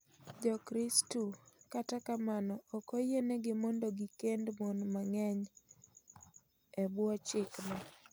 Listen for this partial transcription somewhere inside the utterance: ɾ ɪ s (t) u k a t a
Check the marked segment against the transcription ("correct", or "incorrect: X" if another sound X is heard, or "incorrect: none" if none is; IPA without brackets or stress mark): correct